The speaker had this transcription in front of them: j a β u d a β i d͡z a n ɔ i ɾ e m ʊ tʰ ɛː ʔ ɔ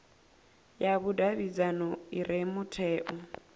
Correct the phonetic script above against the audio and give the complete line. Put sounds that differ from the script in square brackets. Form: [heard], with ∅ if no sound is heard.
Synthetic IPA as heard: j a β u d a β i d͡z a n ɔ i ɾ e m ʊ tʰ ɛː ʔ ɔ